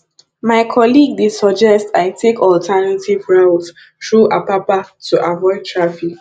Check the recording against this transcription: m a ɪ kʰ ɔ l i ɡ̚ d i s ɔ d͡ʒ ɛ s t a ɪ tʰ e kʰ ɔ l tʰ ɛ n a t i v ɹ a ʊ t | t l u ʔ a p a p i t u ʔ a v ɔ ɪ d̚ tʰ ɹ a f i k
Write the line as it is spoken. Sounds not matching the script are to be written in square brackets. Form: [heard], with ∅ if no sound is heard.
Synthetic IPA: m a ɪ kʰ ɔ l i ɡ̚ d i s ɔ d͡ʒ ɛ s t a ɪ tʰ e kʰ ɔ l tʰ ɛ n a t i v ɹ a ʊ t | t [ɹ] u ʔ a p a p [a] t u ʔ a v ɔ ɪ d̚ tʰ ɹ a f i k

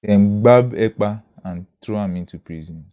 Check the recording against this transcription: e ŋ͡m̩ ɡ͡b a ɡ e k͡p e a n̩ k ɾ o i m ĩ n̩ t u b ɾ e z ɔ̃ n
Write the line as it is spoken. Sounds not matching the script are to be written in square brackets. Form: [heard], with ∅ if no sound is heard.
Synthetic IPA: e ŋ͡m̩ ɡ͡b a [b] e k͡p [a] a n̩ [t] ɾ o [a] m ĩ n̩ t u [p] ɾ [i] z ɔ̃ n

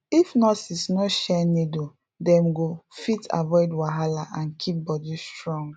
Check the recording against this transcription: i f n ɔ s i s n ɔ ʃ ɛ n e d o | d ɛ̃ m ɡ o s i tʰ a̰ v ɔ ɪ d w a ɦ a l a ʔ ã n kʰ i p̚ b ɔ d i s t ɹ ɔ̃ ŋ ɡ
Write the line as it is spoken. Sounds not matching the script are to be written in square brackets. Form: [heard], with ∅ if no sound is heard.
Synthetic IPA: i f n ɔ s i s n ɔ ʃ ɛ n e d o | d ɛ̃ m ɡ o [f] i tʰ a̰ v ɔ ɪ d w a ɦ a l a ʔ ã n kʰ i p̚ b ɔ d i s t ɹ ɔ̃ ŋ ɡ

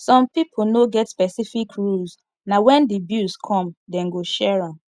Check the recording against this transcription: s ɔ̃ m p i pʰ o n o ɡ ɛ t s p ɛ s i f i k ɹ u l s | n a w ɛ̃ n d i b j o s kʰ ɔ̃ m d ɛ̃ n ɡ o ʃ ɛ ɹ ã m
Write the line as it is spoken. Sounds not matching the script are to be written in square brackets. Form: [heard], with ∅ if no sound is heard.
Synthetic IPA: s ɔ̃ m p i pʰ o n o ɡ ɛ t s p ɛ s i f i k ɹ u l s | n a w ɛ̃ n d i b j [u] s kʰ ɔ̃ m d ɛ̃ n ɡ o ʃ ɛ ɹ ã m

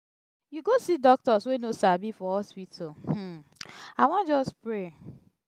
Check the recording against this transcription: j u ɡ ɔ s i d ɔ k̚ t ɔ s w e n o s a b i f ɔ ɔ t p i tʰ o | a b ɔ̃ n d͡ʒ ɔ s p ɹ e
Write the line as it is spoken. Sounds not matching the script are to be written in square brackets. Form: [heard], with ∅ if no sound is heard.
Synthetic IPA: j u ɡ [o] s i d ɔ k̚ t ɔ s w e n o s a b i f ɔ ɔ [s] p i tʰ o | a [w] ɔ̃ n d͡ʒ ɔ s p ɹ e

